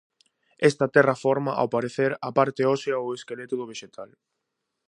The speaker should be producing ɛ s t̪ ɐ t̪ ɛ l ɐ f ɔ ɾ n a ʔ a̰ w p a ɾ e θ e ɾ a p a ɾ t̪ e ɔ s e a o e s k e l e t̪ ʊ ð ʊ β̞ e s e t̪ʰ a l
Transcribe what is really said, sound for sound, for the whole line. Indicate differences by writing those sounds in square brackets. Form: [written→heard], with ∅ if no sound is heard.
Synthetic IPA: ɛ s t̪ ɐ t̪ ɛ [l→r] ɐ f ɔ ɾ [n→m] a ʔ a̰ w p a ɾ e θ e ɾ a p a ɾ t̪ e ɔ s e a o e s k e l e t̪ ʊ ð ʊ β̞ e [s→ʃ] e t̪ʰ a l